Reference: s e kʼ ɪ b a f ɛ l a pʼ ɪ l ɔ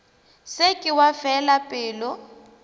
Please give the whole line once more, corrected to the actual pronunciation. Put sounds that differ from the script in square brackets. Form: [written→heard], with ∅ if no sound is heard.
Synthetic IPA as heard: s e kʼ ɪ [b→w] a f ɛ l a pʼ [ɪ→ɪː] l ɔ